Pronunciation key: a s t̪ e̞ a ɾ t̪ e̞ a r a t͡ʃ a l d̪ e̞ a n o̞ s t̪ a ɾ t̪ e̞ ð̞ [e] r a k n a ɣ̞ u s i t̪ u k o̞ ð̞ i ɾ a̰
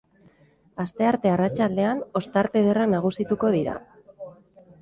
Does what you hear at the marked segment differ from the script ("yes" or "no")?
no